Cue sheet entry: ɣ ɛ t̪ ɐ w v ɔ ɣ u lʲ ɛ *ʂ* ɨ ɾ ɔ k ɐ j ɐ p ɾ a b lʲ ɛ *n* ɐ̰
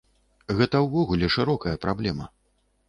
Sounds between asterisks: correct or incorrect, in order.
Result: correct, incorrect: m

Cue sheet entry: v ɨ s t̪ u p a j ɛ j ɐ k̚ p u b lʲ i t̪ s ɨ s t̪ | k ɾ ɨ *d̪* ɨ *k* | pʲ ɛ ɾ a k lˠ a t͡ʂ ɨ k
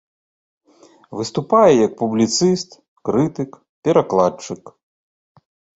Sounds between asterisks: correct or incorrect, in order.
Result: incorrect: t̪, correct

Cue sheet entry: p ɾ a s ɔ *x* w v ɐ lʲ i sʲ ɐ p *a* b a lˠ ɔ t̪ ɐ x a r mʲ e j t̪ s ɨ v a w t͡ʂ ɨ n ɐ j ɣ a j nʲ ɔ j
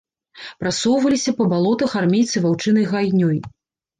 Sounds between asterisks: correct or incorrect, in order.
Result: incorrect: none, incorrect: ɐ

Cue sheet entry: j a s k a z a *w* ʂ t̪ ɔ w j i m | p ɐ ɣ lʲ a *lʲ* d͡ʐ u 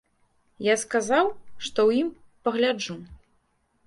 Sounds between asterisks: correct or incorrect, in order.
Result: correct, incorrect: none

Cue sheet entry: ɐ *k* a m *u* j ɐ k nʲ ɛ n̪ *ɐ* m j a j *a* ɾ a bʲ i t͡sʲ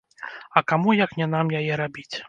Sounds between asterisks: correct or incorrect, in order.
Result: correct, correct, incorrect: a, incorrect: ɛ

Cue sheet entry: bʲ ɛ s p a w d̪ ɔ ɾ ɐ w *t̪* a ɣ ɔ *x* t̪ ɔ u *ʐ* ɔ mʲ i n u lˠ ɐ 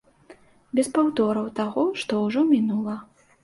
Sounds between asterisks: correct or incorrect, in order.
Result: correct, incorrect: ʂ, correct

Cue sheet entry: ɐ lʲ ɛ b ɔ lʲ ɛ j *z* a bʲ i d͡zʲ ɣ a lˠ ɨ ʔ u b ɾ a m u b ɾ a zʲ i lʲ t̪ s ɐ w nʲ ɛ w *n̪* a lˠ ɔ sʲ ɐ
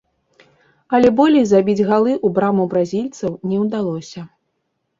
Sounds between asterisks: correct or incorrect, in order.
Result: correct, incorrect: d̪

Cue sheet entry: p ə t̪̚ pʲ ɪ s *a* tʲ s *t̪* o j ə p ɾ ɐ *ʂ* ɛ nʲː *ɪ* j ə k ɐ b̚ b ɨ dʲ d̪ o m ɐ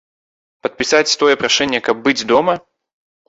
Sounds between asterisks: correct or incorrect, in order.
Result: correct, correct, correct, correct

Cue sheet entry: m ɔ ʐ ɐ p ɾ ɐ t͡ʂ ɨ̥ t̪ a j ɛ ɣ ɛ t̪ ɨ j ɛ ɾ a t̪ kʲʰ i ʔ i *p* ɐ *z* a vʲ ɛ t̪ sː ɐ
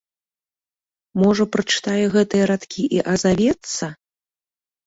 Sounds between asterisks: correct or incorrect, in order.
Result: incorrect: ʔ, correct

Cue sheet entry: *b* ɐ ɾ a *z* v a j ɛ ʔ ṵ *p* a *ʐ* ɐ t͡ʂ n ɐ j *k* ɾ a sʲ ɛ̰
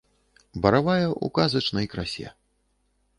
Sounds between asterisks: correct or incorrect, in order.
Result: correct, incorrect: none, incorrect: k, incorrect: z, correct

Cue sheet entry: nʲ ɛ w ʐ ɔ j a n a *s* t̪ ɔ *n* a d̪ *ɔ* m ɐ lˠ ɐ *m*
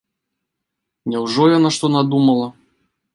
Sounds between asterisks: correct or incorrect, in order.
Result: incorrect: ʂ, correct, incorrect: u, incorrect: none

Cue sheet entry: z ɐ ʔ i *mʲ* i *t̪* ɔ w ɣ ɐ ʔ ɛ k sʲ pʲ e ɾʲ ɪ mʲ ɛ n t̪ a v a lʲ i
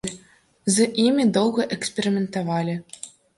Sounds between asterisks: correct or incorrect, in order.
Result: correct, incorrect: d̪

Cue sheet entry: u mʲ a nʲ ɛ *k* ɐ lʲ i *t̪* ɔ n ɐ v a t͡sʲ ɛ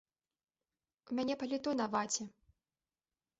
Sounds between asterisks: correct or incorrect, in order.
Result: incorrect: p, correct

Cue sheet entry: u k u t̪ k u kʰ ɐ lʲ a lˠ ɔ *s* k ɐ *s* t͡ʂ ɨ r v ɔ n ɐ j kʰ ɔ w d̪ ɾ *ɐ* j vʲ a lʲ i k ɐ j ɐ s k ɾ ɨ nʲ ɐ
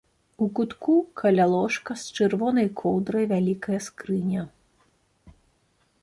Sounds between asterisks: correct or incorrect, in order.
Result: incorrect: ʂ, correct, correct

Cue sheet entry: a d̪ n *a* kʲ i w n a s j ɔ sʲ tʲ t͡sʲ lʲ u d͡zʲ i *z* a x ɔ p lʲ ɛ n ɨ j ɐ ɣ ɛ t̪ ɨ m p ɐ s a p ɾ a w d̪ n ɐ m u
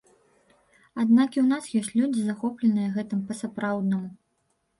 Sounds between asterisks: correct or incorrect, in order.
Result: correct, correct

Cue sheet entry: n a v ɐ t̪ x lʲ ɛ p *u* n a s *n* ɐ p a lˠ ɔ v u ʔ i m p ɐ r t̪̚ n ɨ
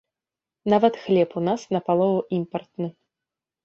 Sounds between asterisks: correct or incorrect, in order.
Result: correct, correct

